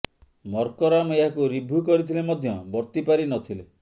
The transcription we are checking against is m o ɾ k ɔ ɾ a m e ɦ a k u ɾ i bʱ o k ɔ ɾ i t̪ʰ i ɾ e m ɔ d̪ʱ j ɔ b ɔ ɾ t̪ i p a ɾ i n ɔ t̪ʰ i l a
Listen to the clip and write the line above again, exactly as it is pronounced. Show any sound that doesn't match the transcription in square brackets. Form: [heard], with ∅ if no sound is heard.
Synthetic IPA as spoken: m [ɔ] ɾ k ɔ ɾ a m e ɦ a k u ɾ i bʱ [u] k ɔ ɾ i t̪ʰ i [l] e m ɔ d̪ʱ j ɔ b ɔ ɾ t̪ i p a ɾ i n ɔ t̪ʰ i l [e]

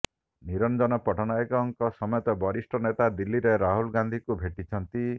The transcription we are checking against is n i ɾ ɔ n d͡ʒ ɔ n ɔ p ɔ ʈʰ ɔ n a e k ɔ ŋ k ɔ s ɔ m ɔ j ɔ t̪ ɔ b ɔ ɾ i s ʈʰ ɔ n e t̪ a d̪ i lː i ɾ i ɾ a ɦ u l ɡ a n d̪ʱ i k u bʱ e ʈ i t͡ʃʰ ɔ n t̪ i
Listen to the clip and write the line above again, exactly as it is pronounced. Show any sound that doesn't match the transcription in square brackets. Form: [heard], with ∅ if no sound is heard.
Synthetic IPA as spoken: n i ɾ ɔ n d͡ʒ ɔ n ɔ p ɔ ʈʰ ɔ n a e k ɔ ŋ k ɔ s ɔ m ɔ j ɔ t̪ ɔ b ɔ ɾ i s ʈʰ ɔ n e t̪ a d̪ i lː i ɾ [e] ɾ a ɦ u l ɡ a n d̪ʱ i k u bʱ e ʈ i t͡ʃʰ ɔ n t̪ i

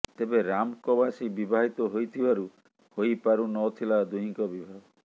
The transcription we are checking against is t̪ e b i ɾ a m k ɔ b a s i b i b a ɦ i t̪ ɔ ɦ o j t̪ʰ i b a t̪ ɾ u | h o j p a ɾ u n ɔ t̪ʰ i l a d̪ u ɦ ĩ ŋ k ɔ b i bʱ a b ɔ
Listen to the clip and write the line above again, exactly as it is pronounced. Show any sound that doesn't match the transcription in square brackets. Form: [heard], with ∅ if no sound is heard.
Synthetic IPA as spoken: t̪ e b [e] ɾ a m k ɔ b a s i b i b a ɦ i t̪ ɔ ɦ o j t̪ʰ i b a [∅] ɾ u | h o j p a ɾ u n ɔ t̪ʰ i l a d̪ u ɦ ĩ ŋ k ɔ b i bʱ a [ɡ] ɔ

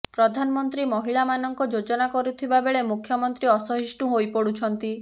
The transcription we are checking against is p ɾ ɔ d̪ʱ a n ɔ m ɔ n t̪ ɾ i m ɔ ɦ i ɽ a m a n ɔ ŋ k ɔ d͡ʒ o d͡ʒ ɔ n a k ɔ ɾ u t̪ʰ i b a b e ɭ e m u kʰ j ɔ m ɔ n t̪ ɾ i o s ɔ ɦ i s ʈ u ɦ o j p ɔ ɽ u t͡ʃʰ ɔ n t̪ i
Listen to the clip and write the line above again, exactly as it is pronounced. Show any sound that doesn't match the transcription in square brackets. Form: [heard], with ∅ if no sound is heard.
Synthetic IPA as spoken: p ɾ ɔ d̪ʱ a n ɔ m ɔ n t̪ ɾ i m ɔ ɦ i [ɭ] a m a n ɔ ŋ k ɔ d͡ʒ o d͡ʒ ɔ n a k ɔ ɾ u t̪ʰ i b a b e ɭ e m u kʰ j ɔ m ɔ n t̪ ɾ i [ɔ] s ɔ ɦ i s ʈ u ɦ o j p ɔ ɽ u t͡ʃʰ ɔ n t̪ i

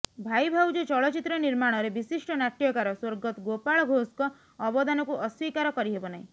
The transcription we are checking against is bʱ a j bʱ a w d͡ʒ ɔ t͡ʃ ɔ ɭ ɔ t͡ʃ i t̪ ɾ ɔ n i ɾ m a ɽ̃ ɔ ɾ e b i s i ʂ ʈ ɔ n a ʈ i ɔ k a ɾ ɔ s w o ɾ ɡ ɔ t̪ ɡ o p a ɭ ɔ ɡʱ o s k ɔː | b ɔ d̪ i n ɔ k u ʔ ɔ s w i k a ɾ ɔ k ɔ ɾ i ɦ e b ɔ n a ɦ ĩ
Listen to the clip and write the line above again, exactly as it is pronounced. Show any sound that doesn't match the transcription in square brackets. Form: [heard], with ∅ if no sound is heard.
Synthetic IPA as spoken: bʱ a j bʱ a w d͡ʒ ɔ t͡ʃ ɔ ɭ ɔ t͡ʃ i t̪ ɾ ɔ n i ɾ m a ɽ̃ ɔ ɾ e b i s i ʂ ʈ ɔ n a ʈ [j] ɔ k a ɾ ɔ s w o ɾ ɡ ɔ t̪ ɡ o p a ɭ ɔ ɡʱ o s k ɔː | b ɔ d̪ [a] n ɔ k u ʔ ɔ s w i k a ɾ ɔ k ɔ ɾ i ɦ e b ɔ n a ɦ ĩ

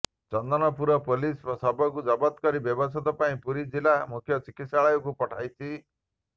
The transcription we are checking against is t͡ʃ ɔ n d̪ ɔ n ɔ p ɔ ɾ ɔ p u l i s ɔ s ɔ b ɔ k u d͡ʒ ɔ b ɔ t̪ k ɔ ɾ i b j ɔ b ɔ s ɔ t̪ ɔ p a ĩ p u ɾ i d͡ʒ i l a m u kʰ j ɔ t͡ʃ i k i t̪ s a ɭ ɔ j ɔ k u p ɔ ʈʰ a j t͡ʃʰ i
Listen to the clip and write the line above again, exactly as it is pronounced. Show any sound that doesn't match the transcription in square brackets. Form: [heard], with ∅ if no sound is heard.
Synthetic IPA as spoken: t͡ʃ ɔ n d̪ ɔ n ɔ p [u] ɾ ɔ p [o] l i s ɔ s ɔ b ɔ k u d͡ʒ ɔ b ɔ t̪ k ɔ ɾ i b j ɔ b ɔ s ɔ t̪ ɔ p a ĩ p u ɾ i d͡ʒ i l a m u kʰ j ɔ t͡ʃ i k i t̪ s a ɭ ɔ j ɔ k u p ɔ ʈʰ a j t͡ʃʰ i

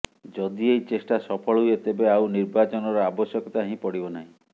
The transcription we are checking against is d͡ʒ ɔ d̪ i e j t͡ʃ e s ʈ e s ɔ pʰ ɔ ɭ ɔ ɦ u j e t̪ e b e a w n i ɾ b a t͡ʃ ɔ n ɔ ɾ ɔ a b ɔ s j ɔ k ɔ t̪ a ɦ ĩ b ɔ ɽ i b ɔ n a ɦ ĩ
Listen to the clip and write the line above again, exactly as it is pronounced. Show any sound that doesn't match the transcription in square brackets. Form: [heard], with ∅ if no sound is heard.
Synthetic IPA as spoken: d͡ʒ ɔ d̪ i e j t͡ʃ e s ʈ [a] s ɔ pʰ ɔ ɭ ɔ ɦ u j e t̪ e b e a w n i ɾ b a t͡ʃ ɔ n ɔ ɾ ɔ a b ɔ s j ɔ k ɔ t̪ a ɦ ĩ [p] ɔ ɽ i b ɔ n a ɦ ĩ

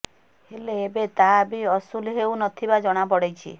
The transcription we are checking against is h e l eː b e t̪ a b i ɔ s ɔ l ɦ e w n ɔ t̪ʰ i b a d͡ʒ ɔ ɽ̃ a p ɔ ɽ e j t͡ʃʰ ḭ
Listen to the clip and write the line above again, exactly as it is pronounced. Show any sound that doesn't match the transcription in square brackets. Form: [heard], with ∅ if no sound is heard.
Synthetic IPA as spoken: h e l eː b e t̪ a b i ɔ s [u] l ɦ e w n ɔ t̪ʰ i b a d͡ʒ ɔ ɽ̃ a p ɔ ɽ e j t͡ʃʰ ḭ

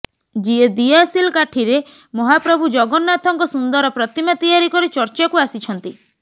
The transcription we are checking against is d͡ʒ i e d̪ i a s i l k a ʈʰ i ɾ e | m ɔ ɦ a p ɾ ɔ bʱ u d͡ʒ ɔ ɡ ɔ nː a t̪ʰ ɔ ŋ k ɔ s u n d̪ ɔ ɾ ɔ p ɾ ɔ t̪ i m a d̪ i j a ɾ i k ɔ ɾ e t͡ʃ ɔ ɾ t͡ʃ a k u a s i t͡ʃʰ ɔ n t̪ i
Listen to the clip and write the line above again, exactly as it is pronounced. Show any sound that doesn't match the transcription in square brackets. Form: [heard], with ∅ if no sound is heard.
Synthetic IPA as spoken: d͡ʒ i e d̪ i a s i l k a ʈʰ i ɾ e | m ɔ ɦ a p ɾ ɔ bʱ u d͡ʒ ɔ ɡ ɔ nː a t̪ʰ ɔ ŋ k ɔ s u n d̪ ɔ ɾ ɔ p ɾ ɔ t̪ i m a [t̪] i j a ɾ i k ɔ ɾ [i] t͡ʃ ɔ ɾ t͡ʃ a k u a s i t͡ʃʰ ɔ n t̪ i

